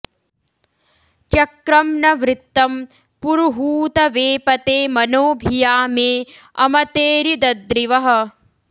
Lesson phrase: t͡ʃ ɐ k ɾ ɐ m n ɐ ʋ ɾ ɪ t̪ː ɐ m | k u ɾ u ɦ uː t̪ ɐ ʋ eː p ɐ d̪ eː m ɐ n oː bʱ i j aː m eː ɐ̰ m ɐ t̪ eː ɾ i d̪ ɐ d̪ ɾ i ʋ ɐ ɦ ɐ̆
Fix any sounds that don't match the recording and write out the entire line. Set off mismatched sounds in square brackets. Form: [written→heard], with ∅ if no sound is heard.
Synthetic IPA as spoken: t͡ʃ ɐ k ɾ ɐ m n ɐ ʋ ɾ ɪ t̪ː ɐ m | [k→p] u ɾ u ɦ uː t̪ ɐ ʋ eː p ɐ [d̪→t̪] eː m ɐ n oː bʱ i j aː m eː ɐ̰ m ɐ t̪ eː ɾ i d̪ ɐ d̪ ɾ i ʋ ɐ ɦ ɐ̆